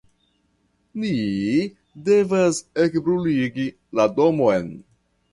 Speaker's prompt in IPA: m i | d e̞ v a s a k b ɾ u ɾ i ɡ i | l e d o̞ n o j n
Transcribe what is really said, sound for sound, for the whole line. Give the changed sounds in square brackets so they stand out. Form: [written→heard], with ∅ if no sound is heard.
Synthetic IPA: [m→n] i | d e̞ v a s [a→e] k b ɾ u [ɾ→l] i ɡ i | l [e→a] d o̞ [n→m] o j n